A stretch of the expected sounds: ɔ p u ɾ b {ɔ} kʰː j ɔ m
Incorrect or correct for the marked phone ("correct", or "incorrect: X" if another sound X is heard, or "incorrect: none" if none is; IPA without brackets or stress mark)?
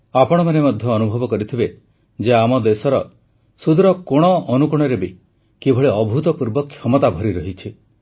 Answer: correct